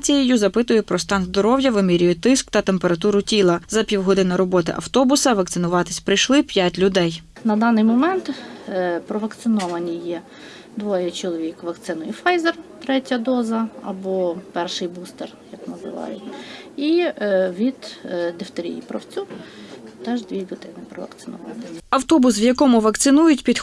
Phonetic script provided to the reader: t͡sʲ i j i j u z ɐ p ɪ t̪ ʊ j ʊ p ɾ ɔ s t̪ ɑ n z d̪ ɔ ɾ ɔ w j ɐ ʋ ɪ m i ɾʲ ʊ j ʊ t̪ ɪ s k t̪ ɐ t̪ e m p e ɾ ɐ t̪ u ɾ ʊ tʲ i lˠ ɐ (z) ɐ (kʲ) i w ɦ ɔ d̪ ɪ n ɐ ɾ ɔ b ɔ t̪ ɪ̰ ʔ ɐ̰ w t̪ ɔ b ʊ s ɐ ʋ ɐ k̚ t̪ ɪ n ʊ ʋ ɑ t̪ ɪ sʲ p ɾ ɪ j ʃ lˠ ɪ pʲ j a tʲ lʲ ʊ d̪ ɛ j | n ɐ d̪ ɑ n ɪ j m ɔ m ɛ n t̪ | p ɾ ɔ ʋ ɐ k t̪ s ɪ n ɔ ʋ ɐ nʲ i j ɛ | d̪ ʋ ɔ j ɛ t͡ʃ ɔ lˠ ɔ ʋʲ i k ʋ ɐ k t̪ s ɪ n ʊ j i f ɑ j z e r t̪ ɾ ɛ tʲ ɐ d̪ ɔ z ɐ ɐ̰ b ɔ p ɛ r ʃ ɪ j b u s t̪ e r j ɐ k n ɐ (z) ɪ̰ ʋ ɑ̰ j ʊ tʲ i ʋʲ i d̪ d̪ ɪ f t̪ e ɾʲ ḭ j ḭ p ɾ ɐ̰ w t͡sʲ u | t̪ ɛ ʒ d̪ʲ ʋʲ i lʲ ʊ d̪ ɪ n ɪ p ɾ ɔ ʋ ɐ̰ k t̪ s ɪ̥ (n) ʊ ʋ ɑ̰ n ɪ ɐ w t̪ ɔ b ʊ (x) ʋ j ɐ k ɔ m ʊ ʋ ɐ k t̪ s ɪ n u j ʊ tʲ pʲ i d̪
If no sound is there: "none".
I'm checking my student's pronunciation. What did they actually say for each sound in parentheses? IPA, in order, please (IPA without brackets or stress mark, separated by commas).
z, pʲ, z, n, s